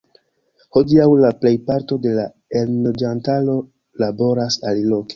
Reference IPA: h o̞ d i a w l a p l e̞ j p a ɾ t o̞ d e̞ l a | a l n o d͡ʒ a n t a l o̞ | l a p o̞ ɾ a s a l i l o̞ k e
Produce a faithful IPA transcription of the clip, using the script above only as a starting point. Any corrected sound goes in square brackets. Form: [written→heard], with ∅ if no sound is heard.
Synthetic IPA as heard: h o̞ d i a w l a p l e̞ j p a ɾ t o̞ d e̞ l a | [a→e] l n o d͡ʒ a n t a l o̞ | l a [p→b] o̞ ɾ a s a l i l o̞ k e